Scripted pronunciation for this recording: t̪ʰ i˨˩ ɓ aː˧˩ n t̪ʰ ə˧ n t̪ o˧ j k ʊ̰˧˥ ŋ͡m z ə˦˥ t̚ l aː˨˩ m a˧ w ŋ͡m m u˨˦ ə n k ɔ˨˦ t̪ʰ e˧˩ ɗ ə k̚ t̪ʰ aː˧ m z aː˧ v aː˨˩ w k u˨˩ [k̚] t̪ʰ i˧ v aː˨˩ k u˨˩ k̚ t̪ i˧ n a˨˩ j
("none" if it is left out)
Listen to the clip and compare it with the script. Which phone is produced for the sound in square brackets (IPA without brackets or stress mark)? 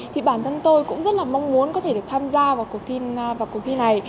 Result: k̚